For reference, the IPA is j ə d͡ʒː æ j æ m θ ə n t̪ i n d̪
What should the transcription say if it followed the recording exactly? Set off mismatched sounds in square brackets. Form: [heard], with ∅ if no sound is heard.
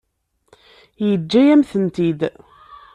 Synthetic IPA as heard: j ə d͡ʒː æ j æ m θ ə n t̪ i [∅] d̪